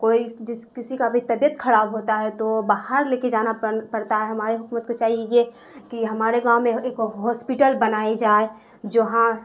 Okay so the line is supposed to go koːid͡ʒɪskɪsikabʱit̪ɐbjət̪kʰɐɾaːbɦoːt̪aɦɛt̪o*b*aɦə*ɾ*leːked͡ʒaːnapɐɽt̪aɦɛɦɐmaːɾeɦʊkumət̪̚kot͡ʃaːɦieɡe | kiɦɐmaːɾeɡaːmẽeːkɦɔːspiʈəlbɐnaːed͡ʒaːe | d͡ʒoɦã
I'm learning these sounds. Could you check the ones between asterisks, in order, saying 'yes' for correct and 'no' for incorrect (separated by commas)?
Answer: yes, yes